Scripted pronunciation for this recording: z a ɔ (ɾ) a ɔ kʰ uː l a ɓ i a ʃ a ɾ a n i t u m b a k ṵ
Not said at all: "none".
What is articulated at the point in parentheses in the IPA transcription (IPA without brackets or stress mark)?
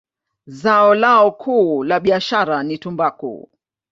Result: l